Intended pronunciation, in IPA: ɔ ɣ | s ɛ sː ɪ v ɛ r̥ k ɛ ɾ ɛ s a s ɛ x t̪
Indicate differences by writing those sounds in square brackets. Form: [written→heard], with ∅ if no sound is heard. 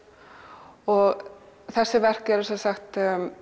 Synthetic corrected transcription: ɔ ɣ | [s→θ] ɛ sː ɪ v ɛ r̥ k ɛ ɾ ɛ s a s [ɛ→a] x t̪